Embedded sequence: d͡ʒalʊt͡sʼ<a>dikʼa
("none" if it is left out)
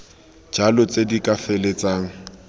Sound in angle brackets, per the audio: e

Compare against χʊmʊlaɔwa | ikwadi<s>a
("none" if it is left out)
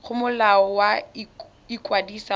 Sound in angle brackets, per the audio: s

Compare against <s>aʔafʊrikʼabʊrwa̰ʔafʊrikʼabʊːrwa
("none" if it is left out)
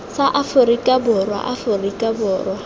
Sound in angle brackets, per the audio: s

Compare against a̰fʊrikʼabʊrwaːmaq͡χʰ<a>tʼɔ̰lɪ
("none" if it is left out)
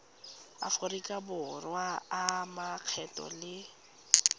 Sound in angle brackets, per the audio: ɛ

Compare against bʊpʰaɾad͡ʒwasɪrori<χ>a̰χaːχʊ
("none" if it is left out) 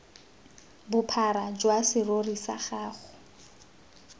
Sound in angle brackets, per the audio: s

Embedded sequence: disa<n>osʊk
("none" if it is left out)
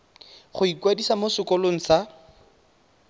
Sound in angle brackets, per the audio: m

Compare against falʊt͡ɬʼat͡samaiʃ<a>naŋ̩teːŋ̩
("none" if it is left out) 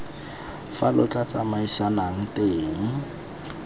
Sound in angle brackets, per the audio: a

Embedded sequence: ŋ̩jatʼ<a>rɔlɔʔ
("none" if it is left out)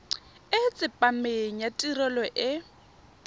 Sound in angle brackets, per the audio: i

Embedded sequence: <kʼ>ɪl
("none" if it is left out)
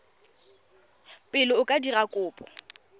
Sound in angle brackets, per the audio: pʼ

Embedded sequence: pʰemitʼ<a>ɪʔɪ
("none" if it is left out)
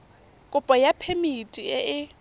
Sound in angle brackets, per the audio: i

